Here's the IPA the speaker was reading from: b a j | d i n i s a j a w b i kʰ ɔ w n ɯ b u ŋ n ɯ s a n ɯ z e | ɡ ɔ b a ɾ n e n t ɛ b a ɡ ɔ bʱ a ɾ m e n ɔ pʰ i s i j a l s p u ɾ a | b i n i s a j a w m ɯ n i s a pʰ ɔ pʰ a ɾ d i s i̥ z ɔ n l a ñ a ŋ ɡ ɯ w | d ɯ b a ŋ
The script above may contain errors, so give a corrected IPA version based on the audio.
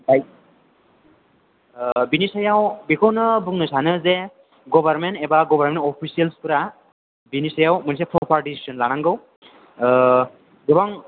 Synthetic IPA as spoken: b a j | b i n i s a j a w b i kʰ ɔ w n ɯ b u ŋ n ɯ s a n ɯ z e | ɡ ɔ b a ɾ m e n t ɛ b a ɡ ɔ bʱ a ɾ m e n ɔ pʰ i s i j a l s p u ɾ a | b i n i s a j a w m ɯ n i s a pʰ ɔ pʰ a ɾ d i s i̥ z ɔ n l a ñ a ŋ ɡ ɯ w | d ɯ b a ŋ